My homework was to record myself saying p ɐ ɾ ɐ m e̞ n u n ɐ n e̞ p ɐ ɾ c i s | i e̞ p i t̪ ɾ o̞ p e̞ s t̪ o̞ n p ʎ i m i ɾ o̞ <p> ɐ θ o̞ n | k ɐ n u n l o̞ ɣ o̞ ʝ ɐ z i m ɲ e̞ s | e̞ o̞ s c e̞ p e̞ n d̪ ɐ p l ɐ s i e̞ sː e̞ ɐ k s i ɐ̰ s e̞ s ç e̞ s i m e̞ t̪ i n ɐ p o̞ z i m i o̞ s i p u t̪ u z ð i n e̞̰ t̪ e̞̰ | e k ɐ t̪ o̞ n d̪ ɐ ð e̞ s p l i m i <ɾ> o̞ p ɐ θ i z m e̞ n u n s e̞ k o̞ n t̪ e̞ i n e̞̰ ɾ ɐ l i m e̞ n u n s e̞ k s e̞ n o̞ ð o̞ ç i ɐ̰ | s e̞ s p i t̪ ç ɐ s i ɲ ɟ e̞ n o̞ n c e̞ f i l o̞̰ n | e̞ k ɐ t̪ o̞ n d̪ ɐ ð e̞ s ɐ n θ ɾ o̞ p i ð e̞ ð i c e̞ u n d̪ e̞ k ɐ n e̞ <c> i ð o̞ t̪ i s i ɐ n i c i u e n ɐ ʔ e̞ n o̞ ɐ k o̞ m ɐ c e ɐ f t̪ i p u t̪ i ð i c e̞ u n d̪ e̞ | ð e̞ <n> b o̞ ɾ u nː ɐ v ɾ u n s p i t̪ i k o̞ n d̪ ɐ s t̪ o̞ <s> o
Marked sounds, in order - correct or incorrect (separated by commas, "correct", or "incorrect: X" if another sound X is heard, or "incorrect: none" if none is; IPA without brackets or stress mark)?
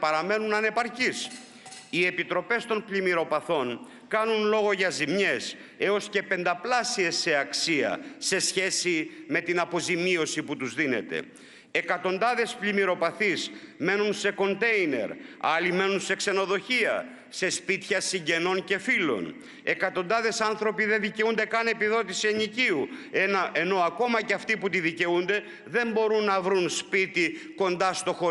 correct, correct, incorrect: p, incorrect: m, incorrect: x